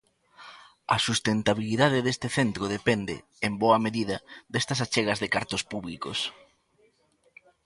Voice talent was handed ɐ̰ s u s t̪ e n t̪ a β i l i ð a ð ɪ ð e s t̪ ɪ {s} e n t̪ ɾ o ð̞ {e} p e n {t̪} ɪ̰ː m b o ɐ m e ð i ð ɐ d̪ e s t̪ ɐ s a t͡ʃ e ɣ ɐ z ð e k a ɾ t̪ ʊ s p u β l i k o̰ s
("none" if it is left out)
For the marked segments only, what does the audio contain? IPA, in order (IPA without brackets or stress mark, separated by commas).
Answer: θ, e, d̪